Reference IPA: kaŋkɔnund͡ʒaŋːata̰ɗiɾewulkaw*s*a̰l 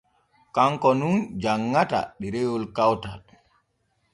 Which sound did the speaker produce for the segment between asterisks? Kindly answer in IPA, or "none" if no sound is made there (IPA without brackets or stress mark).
t